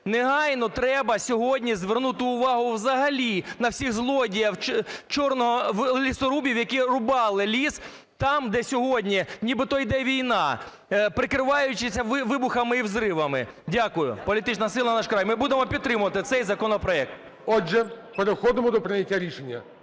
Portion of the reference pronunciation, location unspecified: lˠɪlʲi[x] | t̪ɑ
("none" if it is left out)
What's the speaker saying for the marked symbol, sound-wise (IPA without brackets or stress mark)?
s